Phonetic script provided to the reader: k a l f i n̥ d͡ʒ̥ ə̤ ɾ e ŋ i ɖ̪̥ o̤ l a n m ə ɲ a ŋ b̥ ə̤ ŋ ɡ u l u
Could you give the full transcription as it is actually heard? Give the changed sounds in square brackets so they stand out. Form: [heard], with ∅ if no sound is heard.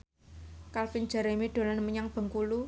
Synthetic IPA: k a l f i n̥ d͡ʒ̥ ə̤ ɾ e [m] i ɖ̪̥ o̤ l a n m ə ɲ a ŋ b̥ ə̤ ŋ [k] u l u

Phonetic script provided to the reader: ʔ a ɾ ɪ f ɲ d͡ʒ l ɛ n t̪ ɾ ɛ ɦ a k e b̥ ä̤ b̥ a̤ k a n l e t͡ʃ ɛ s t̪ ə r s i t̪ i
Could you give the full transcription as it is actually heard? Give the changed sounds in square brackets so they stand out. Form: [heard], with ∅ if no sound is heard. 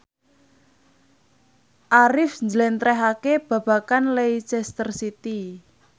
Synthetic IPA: ʔ a ɾ ɪ f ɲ d͡ʒ l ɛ n t̪ ɾ ɛ ɦ a k e b̥ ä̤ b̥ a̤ k a n l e t͡ʃ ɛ s t̪ ə r s i t̪ i

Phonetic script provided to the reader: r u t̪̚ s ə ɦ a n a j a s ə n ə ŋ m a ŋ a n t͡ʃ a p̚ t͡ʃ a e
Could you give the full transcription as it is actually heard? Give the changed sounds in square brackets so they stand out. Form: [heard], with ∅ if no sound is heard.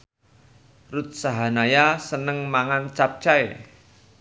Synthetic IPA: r u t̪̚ s [a] ɦ a n a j a s ə n ə ŋ m a ŋ a n t͡ʃ a p̚ t͡ʃ a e

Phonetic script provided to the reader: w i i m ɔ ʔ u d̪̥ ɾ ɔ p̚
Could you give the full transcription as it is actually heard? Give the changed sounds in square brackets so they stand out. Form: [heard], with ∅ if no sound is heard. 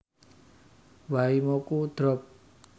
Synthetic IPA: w [a] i m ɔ [k] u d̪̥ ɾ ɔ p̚

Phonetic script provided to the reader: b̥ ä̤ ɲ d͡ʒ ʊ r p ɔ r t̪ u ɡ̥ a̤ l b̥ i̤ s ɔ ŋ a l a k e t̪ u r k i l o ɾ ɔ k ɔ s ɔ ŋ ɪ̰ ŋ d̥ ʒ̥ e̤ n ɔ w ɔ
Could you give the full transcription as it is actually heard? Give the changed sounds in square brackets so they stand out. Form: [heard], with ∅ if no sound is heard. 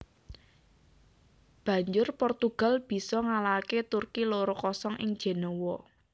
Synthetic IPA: b̥ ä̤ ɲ d͡ʒ ʊ r p ɔ r t̪ u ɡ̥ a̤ l b̥ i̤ s ɔ ŋ a l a k e t̪ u r k i l o ɾ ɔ k ɔ s ɔ ŋ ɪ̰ ŋ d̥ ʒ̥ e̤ n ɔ w ɔ

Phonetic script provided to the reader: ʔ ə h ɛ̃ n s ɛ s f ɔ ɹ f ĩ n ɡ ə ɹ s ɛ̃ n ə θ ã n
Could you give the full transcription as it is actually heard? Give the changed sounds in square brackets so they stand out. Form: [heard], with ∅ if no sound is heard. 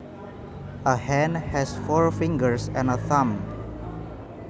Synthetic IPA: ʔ ə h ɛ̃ n [h] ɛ s f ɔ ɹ f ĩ [ŋ] ɡ ə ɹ s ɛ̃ n ə θ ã [m]

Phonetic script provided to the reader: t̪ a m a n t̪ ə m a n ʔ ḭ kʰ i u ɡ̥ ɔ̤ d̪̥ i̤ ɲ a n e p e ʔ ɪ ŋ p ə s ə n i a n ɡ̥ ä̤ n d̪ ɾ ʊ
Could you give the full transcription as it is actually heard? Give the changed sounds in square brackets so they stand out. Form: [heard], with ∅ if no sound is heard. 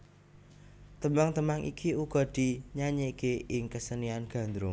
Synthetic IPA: t̪ [ə] m a [ŋ] t̪ ə m a [ŋ] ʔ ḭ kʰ i u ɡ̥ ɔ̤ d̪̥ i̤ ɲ a [ɲ] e [k] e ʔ ɪ ŋ [k] ə s ə n i a n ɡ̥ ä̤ n d̪ ɾ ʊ

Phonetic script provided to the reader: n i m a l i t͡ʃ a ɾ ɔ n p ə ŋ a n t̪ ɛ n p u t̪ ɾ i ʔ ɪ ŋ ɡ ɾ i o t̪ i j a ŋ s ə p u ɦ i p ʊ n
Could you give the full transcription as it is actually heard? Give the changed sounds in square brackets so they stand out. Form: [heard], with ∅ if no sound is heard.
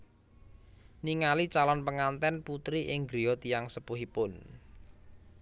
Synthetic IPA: n i [ŋ] a l i t͡ʃ a [l] ɔ n p ə ŋ a n t̪ ɛ n p u t̪ ɾ i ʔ ɪ ŋ ɡ ɾ i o t̪ i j a ŋ s ə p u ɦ i p ʊ n

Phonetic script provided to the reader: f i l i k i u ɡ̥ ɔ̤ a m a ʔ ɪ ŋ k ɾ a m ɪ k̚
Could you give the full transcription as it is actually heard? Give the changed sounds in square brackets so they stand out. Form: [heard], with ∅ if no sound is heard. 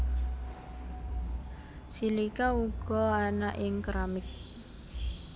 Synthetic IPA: [s] i l i k [a] u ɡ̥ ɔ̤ a [n] a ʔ ɪ ŋ k ɾ a m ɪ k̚

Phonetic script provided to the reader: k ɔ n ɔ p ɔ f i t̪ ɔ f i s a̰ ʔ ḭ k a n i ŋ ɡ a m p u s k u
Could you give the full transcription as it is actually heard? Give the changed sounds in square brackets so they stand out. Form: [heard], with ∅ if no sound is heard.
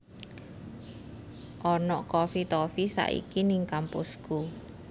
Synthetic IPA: [ʔ] ɔ n ɔ [k] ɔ f i t̪ ɔ f i s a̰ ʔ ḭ k [i] n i ŋ [k] a m p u s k u

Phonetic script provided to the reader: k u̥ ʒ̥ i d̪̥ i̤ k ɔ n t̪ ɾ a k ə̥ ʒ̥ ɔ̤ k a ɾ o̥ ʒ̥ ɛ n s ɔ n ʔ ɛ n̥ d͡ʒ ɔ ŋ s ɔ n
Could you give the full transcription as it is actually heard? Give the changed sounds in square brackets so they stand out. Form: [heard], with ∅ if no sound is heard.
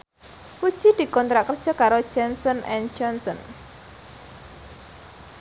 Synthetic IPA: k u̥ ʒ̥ i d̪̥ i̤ k ɔ n t̪ ɾ a k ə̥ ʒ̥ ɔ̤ k a ɾ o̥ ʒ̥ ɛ n s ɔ n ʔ ɛ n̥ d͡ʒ ɔ [n] s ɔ n

